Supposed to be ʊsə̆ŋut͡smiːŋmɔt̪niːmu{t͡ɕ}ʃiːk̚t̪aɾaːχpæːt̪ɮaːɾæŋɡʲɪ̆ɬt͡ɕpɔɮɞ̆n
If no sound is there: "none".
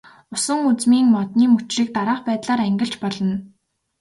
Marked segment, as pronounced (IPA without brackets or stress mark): t͡ɕ